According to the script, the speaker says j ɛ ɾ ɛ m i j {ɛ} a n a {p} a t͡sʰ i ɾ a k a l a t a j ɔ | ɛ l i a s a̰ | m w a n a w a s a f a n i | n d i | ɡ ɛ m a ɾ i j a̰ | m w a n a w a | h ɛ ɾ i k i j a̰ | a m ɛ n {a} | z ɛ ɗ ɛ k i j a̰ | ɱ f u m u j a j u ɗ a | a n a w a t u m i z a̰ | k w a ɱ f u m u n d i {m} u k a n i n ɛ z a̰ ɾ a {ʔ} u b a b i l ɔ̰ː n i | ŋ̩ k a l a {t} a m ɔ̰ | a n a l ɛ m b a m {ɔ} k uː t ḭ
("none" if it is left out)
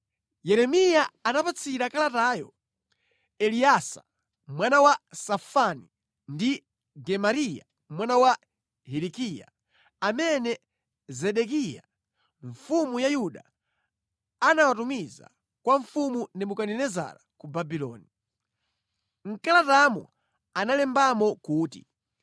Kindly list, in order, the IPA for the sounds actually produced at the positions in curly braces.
a, p, ɛ, m, k, t, ɔ

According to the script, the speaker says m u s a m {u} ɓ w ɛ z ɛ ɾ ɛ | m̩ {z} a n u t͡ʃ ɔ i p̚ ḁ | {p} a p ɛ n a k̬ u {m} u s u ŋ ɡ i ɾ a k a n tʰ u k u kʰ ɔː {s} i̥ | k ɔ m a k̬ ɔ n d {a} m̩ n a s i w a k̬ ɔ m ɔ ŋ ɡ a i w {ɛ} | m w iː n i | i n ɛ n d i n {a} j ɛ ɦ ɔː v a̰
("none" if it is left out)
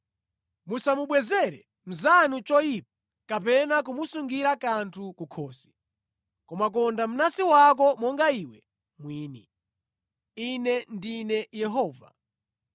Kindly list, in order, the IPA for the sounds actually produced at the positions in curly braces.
u, z, k, m, s, a, ɛ, ɛ

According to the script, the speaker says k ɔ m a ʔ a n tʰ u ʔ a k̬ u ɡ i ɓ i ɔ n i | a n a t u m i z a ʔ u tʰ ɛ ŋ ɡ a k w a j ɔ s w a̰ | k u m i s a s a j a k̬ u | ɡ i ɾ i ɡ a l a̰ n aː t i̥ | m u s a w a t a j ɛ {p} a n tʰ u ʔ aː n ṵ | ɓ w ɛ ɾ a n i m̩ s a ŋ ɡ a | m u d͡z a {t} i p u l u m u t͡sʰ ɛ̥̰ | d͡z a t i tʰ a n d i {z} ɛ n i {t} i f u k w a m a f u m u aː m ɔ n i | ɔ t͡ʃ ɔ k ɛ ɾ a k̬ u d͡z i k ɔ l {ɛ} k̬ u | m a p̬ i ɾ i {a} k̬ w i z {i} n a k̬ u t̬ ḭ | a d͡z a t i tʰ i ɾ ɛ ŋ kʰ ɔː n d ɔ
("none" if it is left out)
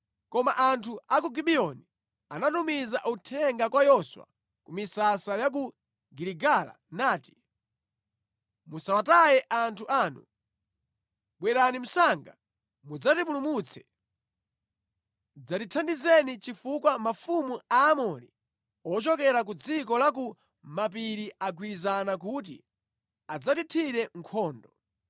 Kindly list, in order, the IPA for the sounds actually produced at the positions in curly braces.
ʔ, t, z, t͡ʃ, a, a, a

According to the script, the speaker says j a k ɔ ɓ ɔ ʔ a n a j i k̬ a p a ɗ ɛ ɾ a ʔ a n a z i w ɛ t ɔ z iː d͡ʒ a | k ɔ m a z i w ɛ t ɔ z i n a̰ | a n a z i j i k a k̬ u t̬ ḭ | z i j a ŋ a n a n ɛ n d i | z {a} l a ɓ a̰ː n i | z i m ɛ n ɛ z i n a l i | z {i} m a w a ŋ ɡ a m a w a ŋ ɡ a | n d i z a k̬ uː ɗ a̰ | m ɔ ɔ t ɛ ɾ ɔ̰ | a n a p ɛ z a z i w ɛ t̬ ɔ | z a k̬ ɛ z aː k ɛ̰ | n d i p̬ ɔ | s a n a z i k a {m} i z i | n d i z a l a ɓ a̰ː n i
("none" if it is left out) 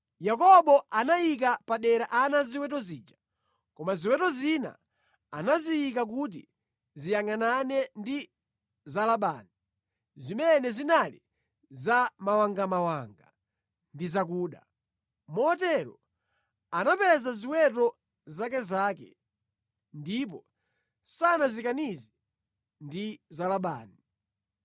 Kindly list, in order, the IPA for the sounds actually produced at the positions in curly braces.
a, a, n

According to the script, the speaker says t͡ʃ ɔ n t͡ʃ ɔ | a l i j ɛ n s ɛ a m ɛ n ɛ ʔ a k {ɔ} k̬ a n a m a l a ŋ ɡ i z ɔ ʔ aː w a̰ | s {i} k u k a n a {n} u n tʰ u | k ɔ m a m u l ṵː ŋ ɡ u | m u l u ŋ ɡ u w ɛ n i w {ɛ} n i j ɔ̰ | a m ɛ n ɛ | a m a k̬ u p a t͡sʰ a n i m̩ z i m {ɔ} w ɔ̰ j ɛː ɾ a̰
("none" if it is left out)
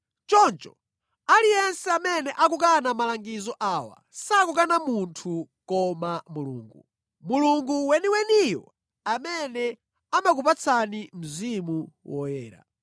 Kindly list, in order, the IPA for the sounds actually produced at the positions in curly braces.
u, a, m, ɛ, u

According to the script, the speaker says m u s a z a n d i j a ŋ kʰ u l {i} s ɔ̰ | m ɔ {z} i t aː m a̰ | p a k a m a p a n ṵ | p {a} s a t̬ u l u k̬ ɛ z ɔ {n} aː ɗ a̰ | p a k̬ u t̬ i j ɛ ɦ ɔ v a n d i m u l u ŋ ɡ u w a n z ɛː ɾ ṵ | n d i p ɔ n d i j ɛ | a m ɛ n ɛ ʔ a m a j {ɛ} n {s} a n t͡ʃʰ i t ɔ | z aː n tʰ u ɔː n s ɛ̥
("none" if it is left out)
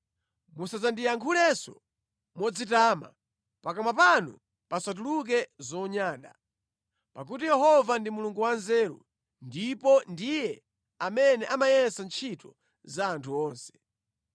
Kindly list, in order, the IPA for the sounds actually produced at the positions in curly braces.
ɛ, d͡z, a, ɲ, ɛ, s

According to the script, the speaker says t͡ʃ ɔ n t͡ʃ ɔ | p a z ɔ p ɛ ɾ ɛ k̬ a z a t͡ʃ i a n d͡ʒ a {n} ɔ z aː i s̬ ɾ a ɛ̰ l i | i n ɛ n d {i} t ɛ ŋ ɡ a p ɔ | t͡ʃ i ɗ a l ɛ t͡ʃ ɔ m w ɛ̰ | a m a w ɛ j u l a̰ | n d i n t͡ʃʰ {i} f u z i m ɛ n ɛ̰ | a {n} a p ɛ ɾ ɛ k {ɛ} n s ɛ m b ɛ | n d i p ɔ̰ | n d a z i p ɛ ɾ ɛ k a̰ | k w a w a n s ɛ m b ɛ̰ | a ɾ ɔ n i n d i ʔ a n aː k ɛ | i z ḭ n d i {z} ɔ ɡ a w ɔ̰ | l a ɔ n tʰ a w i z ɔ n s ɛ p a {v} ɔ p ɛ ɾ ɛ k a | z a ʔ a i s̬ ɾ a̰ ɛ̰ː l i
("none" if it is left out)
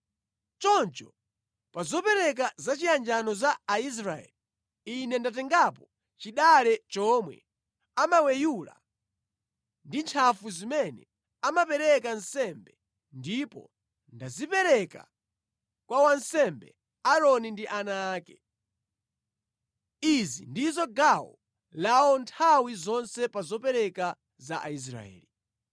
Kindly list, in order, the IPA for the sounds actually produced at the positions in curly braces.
n, a, a, m, a, z, z

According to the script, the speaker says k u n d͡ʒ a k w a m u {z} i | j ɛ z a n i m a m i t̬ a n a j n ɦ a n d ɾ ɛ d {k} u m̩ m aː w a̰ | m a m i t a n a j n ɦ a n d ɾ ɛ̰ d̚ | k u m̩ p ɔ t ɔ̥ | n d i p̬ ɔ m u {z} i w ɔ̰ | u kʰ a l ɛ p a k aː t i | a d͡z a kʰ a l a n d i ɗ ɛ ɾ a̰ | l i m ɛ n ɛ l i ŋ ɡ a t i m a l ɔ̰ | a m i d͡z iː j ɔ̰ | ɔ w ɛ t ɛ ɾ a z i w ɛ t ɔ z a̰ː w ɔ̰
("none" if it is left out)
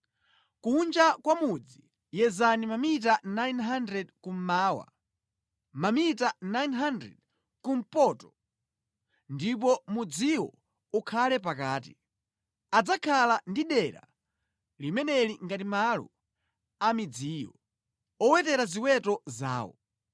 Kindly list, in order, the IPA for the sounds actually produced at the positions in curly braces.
d͡z, k, d͡z

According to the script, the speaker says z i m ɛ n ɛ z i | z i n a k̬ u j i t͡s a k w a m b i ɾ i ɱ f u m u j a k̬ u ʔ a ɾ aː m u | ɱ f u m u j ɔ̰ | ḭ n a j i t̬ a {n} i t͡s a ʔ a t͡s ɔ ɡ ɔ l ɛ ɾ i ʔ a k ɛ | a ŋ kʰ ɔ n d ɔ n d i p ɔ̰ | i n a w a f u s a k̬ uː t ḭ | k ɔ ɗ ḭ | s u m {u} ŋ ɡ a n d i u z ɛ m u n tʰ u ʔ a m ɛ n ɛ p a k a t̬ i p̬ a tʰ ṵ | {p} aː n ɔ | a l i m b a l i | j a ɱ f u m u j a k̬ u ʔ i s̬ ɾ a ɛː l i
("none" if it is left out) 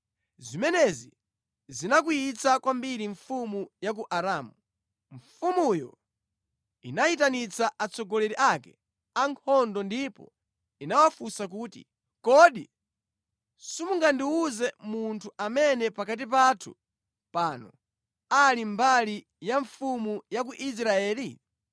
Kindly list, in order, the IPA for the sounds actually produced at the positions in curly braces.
n, u, p

